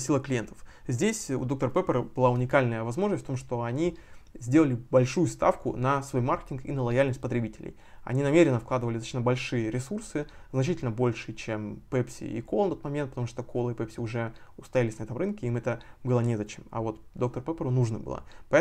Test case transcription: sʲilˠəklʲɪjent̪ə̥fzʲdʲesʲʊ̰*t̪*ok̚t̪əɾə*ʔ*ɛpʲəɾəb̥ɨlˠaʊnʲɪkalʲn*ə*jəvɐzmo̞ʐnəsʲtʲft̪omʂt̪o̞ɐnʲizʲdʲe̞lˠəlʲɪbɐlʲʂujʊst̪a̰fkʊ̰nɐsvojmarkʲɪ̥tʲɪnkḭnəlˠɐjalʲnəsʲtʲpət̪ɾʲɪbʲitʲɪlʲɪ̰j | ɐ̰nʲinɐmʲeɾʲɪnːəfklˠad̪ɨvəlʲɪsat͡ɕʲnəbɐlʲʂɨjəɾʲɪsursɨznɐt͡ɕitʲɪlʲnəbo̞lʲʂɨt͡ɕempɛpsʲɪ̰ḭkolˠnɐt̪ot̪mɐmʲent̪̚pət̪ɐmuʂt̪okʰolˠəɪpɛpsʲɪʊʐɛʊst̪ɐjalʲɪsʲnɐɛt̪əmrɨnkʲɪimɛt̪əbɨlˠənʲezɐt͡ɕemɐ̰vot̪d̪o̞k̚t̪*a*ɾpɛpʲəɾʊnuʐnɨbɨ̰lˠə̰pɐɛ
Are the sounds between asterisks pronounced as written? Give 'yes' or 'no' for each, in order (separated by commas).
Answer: no, no, yes, no